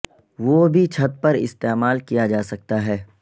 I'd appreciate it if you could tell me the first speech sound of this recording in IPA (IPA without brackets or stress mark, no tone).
ʋ